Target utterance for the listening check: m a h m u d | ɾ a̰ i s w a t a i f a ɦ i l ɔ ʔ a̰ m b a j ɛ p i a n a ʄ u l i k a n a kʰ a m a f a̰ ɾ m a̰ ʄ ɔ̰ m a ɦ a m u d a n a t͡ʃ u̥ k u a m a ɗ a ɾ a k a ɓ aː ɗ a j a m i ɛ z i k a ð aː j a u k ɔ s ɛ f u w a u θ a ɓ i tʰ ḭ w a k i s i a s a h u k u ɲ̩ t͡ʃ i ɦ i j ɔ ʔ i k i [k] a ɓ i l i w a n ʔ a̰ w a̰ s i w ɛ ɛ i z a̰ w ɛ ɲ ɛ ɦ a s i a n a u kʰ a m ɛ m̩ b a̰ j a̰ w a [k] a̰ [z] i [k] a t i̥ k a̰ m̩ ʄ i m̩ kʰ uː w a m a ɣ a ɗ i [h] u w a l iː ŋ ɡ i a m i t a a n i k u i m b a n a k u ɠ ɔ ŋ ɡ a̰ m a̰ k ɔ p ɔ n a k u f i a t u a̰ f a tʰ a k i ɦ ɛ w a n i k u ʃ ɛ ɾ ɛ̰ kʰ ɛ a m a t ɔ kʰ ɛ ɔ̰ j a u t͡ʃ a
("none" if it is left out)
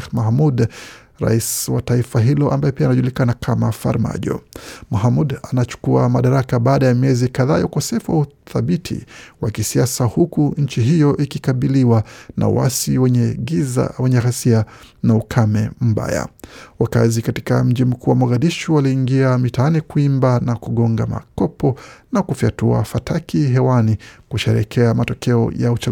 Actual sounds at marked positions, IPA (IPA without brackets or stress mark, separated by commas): k, k, z, k, ʃ